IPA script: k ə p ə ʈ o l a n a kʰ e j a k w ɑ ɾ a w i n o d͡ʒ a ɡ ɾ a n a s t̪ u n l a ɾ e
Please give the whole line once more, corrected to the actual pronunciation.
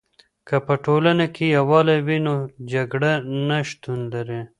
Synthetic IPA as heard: k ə p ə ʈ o l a n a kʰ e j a w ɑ l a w i n o d͡ʒ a ɡ ɽ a n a ʃ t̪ u n l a ɾ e